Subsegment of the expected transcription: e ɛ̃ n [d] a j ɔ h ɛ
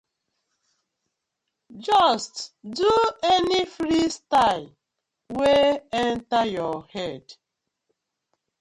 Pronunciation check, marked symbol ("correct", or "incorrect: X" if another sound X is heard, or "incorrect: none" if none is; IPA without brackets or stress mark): incorrect: t